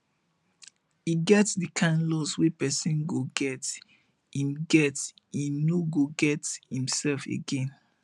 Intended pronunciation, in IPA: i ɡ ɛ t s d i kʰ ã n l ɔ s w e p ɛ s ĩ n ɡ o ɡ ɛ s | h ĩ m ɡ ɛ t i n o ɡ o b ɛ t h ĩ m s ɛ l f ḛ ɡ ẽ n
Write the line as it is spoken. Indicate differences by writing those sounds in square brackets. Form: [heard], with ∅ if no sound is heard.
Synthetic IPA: i ɡ ɛ t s d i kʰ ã n l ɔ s w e p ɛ s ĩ n ɡ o ɡ ɛ [t] | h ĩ m ɡ ɛ t i n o ɡ o [ɡ] ɛ t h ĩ m s ɛ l f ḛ ɡ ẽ n